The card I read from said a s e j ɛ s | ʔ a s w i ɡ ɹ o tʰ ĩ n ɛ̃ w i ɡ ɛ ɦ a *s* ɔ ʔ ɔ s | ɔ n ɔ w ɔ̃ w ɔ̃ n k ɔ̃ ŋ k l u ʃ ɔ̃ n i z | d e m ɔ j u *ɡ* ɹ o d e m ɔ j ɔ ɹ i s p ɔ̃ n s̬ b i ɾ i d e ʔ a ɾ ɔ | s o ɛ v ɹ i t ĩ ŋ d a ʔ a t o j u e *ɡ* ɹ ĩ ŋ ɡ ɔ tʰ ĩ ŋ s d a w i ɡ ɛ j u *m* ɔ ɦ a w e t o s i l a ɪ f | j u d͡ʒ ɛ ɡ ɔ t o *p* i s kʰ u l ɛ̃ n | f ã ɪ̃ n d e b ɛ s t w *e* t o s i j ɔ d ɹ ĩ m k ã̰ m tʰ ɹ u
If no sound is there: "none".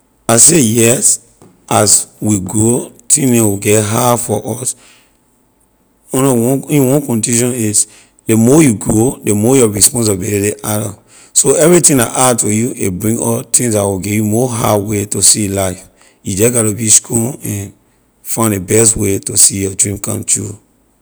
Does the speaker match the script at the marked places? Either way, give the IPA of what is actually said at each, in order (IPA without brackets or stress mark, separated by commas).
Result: f, ɡ, b, m, b, e